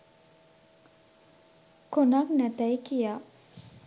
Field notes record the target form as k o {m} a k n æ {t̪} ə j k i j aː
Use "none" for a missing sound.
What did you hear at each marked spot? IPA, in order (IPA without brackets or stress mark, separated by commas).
n, t̪